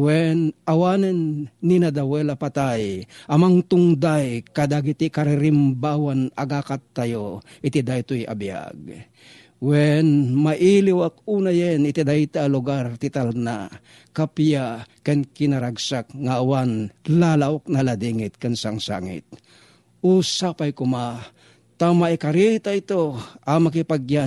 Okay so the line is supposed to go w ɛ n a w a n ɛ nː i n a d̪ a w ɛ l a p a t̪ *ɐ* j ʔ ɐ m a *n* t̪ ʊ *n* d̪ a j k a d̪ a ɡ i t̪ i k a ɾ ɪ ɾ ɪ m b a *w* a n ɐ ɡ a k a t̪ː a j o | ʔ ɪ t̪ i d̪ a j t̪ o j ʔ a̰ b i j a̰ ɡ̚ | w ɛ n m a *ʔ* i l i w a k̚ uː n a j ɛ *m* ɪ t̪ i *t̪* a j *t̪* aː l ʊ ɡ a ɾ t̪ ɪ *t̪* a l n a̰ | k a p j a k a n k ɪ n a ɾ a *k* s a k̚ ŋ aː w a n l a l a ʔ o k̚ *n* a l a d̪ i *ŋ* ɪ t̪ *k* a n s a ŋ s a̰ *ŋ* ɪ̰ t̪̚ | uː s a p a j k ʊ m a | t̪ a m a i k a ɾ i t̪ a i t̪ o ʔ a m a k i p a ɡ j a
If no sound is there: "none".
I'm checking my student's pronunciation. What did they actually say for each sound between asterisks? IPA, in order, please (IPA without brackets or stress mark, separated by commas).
a, ŋ, ŋ, w, ʔ, n, d̪, t̪, t̪, ɡ, n, ŋ, k, ŋ